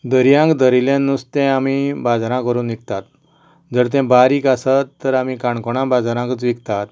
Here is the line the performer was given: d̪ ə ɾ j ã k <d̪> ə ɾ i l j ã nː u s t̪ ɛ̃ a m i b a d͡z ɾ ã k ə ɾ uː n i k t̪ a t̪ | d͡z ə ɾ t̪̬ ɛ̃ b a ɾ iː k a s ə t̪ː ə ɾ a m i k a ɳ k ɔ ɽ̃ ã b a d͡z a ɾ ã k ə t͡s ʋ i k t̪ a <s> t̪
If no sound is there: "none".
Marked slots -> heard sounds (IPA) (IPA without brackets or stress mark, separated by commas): d̪, none